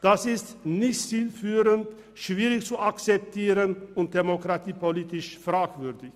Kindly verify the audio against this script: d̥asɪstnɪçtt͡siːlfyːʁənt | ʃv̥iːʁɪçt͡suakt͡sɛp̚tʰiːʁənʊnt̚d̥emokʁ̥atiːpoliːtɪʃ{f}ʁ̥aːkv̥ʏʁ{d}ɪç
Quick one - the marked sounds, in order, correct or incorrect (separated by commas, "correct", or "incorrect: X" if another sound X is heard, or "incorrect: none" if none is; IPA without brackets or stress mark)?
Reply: correct, correct